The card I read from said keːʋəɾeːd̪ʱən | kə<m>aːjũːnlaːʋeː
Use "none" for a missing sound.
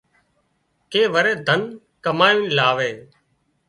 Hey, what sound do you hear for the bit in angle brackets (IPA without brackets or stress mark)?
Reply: m